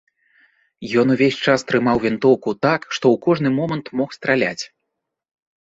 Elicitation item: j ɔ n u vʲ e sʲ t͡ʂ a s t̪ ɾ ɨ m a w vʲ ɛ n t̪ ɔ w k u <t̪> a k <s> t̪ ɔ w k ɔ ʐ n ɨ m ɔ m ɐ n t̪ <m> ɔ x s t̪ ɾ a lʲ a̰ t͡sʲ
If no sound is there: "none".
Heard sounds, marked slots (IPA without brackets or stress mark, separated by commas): t̪, ʂ, m